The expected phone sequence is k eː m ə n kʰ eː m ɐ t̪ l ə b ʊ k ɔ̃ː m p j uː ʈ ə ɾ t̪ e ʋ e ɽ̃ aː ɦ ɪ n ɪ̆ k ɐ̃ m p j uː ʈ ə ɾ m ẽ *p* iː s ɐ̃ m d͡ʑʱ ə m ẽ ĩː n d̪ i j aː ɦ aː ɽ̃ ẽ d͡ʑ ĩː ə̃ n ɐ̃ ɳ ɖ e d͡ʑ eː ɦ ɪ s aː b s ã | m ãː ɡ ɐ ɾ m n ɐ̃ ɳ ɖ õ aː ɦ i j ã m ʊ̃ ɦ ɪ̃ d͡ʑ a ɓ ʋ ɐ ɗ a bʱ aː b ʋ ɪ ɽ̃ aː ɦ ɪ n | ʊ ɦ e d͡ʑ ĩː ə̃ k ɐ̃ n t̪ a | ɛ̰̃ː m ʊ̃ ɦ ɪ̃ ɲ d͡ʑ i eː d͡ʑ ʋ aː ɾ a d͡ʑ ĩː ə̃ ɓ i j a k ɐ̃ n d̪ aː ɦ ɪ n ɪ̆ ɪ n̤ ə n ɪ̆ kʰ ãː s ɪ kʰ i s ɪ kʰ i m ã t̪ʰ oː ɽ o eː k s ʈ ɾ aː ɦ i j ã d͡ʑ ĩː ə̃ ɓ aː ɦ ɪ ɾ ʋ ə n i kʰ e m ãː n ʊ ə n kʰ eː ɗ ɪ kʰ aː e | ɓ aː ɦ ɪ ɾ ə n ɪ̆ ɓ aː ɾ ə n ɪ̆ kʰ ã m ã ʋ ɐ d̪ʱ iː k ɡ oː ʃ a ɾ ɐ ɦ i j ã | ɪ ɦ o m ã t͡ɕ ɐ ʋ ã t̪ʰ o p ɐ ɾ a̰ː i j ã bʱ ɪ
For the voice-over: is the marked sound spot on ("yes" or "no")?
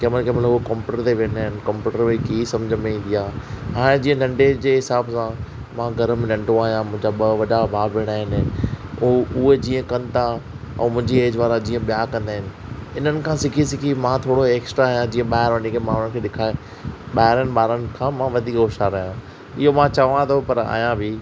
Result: no